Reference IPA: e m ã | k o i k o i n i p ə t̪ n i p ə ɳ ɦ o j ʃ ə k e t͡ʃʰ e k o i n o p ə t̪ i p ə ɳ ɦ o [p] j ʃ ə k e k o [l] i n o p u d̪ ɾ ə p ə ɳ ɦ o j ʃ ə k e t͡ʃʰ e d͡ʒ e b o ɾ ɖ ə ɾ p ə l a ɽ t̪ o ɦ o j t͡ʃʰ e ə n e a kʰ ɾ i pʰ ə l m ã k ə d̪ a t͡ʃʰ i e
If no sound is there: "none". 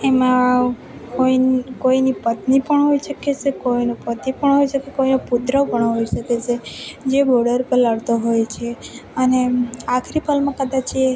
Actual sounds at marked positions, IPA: none, none

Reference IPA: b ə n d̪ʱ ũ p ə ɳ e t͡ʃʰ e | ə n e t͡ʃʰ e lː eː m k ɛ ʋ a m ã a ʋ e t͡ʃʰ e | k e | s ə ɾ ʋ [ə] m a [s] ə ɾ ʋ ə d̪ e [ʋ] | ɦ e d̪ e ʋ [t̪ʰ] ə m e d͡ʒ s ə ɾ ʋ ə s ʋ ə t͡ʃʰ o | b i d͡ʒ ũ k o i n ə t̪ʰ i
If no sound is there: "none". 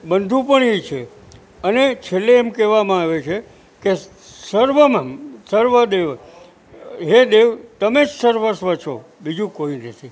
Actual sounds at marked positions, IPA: ə, s, ʋ, t̪

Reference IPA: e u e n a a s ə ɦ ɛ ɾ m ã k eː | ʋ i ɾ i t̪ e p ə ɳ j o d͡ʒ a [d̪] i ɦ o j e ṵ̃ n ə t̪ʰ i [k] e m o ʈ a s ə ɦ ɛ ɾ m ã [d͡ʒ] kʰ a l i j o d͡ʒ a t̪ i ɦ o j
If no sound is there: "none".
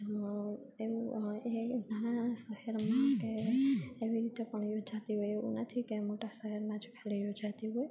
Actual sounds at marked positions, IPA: t̪, k, d͡ʒ

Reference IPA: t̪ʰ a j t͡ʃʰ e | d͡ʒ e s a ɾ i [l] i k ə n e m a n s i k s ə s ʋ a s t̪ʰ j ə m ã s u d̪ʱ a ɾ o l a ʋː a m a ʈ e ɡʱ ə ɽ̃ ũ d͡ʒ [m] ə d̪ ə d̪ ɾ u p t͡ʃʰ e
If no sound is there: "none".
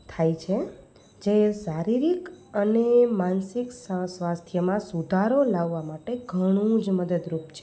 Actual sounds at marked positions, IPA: ɾ, m

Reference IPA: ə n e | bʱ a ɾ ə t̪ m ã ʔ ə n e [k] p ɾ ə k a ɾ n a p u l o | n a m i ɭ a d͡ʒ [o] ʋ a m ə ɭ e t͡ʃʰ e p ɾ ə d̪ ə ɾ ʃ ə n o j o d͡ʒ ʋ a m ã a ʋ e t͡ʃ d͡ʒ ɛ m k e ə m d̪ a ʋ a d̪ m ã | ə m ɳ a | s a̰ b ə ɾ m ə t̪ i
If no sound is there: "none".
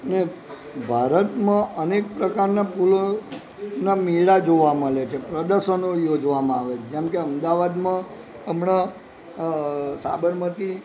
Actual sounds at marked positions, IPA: k, o

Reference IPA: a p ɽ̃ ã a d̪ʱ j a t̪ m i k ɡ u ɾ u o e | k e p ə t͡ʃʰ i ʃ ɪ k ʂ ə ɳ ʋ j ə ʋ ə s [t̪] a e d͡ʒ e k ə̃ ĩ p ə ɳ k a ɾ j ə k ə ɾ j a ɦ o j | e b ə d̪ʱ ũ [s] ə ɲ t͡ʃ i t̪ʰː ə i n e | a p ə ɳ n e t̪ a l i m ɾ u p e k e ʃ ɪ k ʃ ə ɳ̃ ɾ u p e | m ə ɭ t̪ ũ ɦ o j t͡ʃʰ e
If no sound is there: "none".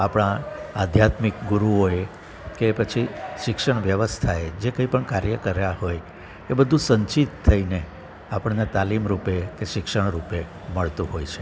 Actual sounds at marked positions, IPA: t̪ʰ, s

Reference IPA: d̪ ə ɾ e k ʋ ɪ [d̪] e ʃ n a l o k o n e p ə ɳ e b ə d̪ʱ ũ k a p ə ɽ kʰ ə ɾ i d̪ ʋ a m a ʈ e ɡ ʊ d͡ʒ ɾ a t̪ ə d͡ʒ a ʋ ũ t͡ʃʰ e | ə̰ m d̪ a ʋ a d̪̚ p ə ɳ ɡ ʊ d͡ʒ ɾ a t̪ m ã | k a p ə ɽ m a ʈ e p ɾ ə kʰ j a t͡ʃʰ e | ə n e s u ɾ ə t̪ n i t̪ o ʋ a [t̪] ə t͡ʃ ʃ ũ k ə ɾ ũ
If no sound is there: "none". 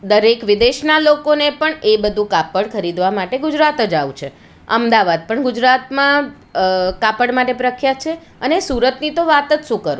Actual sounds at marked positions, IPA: d̪, t̪

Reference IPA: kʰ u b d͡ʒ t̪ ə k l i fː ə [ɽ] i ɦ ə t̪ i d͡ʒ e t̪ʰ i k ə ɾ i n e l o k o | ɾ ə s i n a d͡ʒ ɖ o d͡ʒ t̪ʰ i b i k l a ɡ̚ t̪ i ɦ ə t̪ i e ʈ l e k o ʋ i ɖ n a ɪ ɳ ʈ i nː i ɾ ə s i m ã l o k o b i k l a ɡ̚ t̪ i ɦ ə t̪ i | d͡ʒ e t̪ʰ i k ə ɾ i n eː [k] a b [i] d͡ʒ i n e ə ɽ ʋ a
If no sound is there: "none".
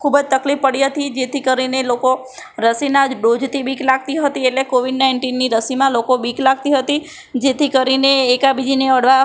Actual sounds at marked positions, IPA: ɽ, k, i

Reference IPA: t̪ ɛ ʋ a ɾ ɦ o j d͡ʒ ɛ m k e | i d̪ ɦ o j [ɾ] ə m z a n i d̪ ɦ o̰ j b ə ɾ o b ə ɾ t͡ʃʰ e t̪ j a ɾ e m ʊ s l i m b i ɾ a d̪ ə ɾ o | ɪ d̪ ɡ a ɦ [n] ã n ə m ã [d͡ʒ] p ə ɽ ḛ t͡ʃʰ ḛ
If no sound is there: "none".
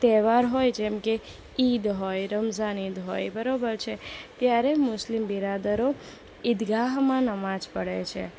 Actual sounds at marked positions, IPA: ɾ, m, d͡ʒ

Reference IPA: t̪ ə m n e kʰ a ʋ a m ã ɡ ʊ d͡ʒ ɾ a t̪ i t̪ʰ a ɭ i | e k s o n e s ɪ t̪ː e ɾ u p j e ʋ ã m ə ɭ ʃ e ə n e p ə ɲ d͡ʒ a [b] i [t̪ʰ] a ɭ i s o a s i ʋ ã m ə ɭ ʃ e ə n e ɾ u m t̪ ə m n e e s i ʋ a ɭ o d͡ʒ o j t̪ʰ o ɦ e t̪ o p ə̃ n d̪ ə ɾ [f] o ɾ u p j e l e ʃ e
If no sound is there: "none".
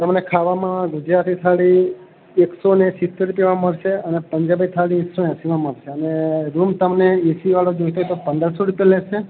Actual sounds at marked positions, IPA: b, t̪ʰ, s

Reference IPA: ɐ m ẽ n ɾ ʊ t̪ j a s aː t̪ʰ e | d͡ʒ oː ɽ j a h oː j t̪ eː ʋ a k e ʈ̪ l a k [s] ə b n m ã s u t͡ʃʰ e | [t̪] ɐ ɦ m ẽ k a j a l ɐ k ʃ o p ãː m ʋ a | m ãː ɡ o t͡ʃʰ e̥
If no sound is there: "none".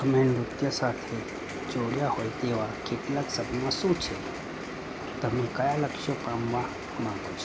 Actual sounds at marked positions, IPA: s, t̪

